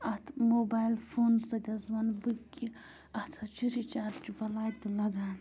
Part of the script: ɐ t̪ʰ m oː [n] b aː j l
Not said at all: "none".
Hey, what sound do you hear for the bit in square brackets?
none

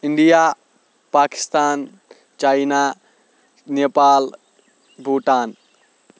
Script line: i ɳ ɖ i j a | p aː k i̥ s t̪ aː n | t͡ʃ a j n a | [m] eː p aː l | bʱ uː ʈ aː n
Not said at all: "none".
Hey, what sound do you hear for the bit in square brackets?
n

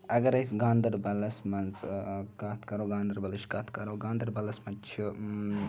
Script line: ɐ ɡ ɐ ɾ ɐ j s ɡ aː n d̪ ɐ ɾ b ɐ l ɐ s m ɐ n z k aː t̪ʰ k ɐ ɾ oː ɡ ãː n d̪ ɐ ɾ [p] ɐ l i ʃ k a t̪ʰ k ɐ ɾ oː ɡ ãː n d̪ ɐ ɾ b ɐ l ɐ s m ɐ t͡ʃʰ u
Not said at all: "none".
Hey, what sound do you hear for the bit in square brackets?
b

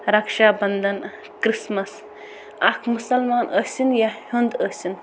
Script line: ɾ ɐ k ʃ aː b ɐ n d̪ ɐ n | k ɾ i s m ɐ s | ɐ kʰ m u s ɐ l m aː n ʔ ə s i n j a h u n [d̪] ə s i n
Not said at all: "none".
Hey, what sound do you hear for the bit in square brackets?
d̪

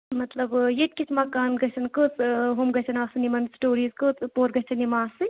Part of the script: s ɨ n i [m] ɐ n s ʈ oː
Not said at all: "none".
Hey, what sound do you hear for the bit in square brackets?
m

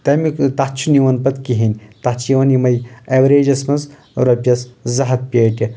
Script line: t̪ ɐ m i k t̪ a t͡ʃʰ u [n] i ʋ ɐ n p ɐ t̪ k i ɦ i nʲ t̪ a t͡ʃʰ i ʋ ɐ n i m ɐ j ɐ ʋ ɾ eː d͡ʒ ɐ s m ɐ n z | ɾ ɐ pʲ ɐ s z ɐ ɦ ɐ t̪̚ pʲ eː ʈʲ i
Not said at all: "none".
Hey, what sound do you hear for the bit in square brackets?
n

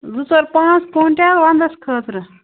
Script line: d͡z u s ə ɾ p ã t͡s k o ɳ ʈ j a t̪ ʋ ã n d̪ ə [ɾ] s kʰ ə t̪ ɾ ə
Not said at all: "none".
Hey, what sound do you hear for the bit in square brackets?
none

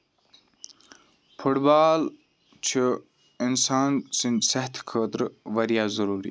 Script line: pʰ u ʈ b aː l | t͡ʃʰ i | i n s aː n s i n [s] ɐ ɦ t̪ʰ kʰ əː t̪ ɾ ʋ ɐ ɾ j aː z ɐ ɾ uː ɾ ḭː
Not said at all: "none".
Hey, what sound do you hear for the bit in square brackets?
s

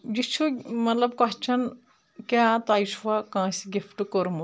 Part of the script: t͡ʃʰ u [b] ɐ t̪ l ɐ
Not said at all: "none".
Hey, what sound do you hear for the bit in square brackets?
m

